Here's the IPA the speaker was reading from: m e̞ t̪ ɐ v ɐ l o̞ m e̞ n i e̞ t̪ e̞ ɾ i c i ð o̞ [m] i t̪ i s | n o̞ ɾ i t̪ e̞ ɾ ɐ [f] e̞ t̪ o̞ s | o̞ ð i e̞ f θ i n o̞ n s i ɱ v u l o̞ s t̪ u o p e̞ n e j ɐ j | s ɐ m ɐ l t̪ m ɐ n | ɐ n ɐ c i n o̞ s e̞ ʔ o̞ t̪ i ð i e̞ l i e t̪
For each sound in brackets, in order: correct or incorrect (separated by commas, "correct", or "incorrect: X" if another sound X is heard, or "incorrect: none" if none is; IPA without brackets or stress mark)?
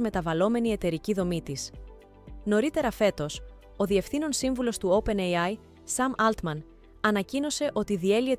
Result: correct, correct